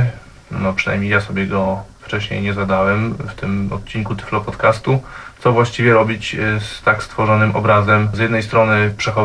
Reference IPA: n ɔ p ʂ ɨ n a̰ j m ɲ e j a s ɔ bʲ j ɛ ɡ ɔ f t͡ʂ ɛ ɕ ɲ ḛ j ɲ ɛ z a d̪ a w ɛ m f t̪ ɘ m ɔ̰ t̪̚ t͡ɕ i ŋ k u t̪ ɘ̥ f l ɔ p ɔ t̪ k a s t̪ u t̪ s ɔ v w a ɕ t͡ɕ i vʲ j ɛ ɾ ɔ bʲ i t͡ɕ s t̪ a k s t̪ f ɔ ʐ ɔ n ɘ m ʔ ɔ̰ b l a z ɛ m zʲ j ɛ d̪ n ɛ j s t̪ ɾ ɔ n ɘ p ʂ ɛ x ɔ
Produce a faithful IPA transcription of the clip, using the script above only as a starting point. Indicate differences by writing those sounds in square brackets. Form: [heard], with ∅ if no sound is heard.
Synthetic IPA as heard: n ɔ p ʂ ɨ n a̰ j m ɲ e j a s ɔ bʲ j ɛ ɡ ɔ f t͡ʂ ɛ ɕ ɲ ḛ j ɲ ɛ z a d̪ a w ɛ m f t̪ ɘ m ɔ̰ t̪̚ t͡ɕ i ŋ k u t̪ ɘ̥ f l ɔ p ɔ t̪ k a s t̪ u t̪ s ɔ v w a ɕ t͡ɕ i vʲ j ɛ ɾ ɔ bʲ i t͡ɕ s t̪ a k s t̪ f ɔ ʐ ɔ n ɘ m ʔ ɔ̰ b [ɾ] a z ɛ m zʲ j ɛ d̪ n ɛ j s t̪ ɾ ɔ n ɘ p ʂ ɛ x ɔ